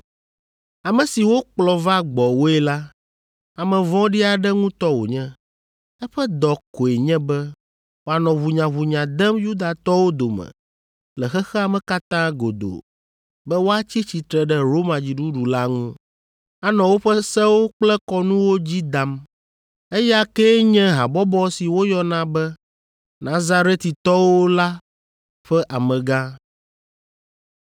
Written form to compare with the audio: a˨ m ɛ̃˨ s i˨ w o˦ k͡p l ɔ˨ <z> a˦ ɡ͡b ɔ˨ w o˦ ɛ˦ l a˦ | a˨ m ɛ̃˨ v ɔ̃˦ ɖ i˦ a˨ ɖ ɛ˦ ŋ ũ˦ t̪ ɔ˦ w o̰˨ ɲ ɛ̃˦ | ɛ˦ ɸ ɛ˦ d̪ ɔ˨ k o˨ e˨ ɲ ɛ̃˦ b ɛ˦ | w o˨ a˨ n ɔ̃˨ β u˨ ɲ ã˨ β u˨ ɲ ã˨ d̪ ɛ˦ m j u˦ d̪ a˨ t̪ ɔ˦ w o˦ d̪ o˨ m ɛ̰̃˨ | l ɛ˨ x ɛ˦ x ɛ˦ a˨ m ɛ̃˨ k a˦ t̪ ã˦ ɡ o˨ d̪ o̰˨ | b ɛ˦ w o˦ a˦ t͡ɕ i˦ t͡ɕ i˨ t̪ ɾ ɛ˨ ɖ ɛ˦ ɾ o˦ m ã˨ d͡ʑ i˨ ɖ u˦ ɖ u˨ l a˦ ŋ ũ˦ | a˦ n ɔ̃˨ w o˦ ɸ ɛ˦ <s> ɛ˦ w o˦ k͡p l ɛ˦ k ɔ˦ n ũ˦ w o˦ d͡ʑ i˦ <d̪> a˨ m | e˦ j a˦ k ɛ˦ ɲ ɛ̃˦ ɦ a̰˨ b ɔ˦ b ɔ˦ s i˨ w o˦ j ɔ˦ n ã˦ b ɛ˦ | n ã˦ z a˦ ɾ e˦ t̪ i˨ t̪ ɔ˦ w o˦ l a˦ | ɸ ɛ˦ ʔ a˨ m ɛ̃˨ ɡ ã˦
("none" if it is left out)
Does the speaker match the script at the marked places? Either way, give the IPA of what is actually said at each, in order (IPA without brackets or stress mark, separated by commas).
v, s, d̪